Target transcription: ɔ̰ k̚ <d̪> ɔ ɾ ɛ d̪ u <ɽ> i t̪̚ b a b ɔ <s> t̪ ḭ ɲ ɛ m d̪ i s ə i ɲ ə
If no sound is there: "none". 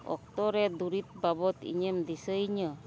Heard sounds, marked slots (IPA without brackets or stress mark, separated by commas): t̪, ɾ, none